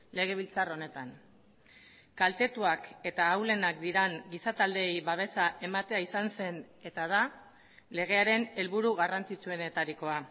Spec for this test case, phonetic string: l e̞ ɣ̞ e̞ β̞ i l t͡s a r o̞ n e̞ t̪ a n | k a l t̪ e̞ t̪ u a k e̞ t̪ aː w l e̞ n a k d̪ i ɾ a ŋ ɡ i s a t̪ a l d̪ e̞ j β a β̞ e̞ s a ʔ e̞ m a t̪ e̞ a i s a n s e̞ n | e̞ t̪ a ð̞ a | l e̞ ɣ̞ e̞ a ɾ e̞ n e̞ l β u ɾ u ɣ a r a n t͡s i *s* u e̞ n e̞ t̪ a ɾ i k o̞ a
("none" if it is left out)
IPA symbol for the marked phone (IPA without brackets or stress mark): t͡s